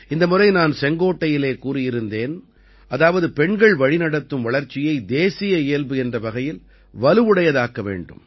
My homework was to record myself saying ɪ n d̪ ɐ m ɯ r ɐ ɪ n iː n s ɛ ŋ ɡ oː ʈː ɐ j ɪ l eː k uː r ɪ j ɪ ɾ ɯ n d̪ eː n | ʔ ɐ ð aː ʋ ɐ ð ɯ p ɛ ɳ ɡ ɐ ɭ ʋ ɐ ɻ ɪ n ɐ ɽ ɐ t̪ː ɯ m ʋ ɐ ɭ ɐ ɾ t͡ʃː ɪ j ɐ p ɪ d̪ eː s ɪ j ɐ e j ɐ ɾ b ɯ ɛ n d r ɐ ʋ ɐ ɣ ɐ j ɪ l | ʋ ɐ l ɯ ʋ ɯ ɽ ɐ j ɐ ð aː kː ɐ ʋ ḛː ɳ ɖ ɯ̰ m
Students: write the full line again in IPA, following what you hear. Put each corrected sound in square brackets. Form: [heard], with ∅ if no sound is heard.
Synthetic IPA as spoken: ɪ n d̪ ɐ m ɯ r ɐ ɪ n [aː] n s ɛ ŋ ɡ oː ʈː ɐ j ɪ l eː k uː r ɪ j ɪ ɾ ɯ n d̪ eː n | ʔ ɐ ð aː ʋ ɐ ð ɯ p ɛ ɳ ɡ ɐ ɭ ʋ ɐ ɻ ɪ n ɐ ɽ ɐ t̪ː ɯ m ʋ ɐ ɭ ɐ ɾ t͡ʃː ɪ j ɐ [∅] ɪ d̪ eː s ɪ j ɐ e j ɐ [l] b ɯ ɛ n d r ɐ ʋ ɐ ɣ ɐ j ɪ l | ʋ ɐ l ɯ ʋ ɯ ɽ ɐ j ɐ ð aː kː ɐ ʋ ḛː ɳ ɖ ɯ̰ m